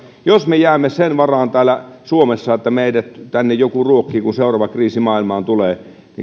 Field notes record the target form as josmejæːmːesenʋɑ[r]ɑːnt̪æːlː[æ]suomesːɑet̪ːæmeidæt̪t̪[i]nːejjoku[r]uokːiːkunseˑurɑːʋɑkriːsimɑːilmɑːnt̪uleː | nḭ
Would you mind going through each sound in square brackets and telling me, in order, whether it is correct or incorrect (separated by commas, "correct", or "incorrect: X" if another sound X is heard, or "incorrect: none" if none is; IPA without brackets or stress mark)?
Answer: correct, correct, incorrect: æ, correct